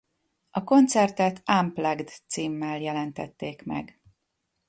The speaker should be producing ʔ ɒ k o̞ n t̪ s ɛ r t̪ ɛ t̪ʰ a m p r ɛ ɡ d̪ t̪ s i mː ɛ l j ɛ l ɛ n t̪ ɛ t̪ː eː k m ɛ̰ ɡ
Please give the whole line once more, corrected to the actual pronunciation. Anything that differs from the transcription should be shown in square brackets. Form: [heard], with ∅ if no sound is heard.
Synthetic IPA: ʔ ɒ k o̞ n t̪ s ɛ r t̪ ɛ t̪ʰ a m p [l] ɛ ɡ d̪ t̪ s [iː] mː ɛ l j ɛ l ɛ n t̪ ɛ t̪ː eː k m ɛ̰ ɡ